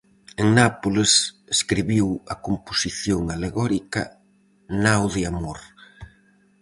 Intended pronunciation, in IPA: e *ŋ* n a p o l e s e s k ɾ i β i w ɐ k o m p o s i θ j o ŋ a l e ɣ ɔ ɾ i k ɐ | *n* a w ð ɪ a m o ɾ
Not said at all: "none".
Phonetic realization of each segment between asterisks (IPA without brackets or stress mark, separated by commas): ŋ, n